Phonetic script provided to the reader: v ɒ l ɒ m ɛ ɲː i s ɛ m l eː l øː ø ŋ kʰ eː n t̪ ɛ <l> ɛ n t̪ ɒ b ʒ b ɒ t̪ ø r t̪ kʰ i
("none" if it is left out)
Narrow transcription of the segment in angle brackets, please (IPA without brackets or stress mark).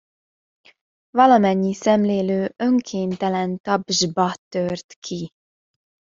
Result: l